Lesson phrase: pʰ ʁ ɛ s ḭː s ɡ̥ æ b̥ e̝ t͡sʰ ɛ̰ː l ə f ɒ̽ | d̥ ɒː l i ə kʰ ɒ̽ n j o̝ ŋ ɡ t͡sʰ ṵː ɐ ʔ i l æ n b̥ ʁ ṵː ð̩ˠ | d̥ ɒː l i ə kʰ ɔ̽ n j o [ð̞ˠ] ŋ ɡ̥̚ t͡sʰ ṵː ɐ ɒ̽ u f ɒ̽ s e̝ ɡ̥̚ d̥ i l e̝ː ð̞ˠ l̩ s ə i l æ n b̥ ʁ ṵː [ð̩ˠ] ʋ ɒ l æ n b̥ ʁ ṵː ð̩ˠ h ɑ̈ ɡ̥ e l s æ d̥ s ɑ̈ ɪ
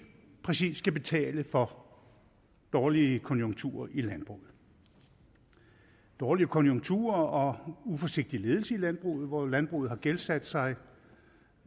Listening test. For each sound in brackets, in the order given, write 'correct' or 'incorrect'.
incorrect: none, correct

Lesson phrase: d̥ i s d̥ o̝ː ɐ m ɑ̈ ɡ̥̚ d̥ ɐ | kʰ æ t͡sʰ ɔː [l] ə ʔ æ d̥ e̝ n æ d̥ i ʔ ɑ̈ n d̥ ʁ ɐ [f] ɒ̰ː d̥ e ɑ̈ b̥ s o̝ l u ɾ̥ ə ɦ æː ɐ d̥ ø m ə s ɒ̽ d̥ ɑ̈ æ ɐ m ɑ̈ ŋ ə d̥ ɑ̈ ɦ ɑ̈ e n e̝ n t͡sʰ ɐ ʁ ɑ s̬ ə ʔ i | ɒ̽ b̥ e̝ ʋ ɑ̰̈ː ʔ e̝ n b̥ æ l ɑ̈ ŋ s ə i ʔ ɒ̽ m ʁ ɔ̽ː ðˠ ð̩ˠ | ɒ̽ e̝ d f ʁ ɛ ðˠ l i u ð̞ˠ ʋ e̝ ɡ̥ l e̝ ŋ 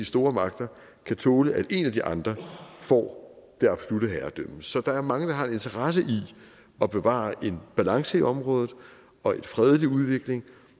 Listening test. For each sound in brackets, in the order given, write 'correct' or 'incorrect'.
correct, correct

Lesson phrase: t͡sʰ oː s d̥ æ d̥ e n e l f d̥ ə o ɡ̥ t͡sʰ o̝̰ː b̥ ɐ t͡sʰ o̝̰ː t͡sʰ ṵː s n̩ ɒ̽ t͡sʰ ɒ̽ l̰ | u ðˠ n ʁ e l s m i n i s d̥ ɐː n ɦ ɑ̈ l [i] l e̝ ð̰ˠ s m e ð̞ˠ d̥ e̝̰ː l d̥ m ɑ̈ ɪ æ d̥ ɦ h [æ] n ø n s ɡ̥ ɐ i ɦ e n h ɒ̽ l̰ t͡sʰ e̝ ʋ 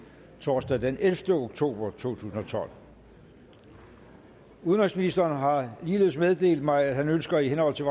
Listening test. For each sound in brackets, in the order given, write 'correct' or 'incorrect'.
incorrect: iː, correct

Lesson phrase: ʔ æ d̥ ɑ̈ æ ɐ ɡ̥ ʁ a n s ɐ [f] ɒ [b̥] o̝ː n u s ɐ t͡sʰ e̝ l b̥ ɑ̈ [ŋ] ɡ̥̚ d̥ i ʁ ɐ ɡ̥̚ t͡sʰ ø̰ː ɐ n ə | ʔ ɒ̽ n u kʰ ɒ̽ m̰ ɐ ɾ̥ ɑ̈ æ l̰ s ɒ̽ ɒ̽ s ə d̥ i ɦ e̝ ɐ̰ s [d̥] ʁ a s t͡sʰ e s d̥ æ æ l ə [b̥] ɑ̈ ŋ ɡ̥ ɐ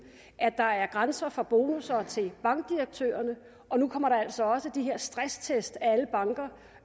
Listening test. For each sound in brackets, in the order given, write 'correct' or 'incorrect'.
correct, correct, correct, correct, correct

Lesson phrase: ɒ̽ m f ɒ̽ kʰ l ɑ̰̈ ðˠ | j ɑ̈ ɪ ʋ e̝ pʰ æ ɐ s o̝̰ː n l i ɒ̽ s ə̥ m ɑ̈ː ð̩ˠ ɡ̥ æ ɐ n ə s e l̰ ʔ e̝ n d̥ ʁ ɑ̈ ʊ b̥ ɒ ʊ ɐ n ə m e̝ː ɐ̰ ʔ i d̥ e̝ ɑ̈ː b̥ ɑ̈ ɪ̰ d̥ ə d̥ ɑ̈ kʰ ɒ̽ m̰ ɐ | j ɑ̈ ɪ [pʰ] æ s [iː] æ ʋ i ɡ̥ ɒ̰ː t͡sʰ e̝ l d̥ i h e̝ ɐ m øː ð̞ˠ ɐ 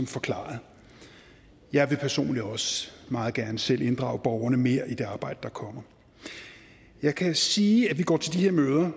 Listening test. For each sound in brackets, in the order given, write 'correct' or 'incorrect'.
incorrect: kʰ, correct

